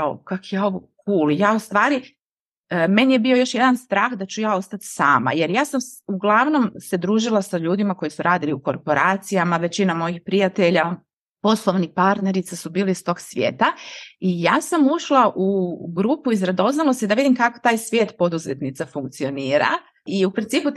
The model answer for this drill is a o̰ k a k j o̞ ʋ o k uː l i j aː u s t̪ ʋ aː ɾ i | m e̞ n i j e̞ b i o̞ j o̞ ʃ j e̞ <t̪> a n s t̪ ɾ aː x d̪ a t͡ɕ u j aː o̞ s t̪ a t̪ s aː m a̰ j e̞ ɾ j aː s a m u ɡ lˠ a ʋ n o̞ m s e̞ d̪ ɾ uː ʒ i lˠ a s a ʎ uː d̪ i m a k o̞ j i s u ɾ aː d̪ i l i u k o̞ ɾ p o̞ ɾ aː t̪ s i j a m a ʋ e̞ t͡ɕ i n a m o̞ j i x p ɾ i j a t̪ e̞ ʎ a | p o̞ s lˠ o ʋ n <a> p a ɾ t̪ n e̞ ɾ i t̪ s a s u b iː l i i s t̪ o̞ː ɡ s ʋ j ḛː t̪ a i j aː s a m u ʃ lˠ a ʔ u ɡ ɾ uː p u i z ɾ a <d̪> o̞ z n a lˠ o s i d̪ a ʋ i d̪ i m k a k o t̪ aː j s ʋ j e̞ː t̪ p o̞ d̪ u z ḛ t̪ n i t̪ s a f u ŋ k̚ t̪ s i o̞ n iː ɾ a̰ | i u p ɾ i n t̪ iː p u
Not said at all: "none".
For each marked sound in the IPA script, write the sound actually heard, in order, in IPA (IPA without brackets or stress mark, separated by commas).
d̪, i, d̪